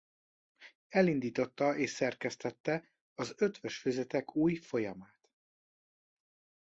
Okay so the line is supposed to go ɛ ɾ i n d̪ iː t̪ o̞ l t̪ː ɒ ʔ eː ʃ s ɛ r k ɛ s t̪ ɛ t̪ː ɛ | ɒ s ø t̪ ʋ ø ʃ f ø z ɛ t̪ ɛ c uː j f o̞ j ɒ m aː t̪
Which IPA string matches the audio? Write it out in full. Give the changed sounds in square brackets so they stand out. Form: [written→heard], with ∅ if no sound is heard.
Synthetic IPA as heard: ɛ [ɾ→l] i n d̪ iː t̪ o̞ [l→∅] t̪ː ɒ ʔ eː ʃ s ɛ r k ɛ s t̪ ɛ t̪ː ɛ | ɒ [s→z] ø t̪ ʋ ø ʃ f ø z ɛ t̪ ɛ [c→k] uː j f o̞ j ɒ m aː t̪